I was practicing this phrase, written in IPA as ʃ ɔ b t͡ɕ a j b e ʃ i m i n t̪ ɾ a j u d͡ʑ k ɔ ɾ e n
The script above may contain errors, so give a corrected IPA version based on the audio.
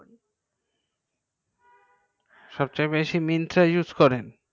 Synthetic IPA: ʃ ɔ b t͡ɕ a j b e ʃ i m i n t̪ ɾ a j u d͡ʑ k ɔ ɾ e n